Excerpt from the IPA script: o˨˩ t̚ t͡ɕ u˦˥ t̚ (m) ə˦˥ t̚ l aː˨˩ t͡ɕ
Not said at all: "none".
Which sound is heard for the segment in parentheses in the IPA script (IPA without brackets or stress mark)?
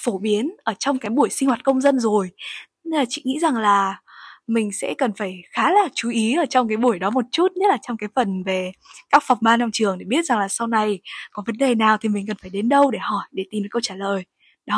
ɲ